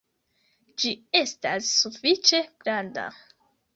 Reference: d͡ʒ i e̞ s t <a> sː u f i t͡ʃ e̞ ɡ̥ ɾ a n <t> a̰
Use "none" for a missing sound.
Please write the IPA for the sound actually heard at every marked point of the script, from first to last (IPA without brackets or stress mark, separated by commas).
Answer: a, d